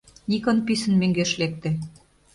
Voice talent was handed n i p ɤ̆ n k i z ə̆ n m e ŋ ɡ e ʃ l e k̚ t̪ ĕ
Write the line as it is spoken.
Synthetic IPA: n i k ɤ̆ n p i s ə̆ n m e ŋ ɡ e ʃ l e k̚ t̪ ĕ